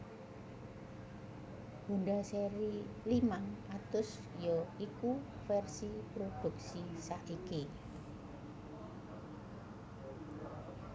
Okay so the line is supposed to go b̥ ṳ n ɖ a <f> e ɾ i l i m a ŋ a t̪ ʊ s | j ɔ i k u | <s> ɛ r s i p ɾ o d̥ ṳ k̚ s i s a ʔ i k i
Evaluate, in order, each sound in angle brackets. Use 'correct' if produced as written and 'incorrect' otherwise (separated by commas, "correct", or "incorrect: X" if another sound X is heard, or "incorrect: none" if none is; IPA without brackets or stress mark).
incorrect: s, incorrect: f